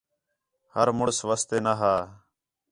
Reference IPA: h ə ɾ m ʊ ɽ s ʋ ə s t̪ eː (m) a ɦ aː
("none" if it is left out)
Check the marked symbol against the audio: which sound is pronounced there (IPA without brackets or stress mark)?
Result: n